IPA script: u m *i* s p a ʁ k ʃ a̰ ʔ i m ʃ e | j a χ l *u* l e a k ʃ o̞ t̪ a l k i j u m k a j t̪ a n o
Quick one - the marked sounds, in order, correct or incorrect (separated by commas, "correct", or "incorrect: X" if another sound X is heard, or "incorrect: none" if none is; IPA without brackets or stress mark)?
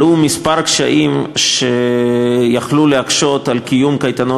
correct, correct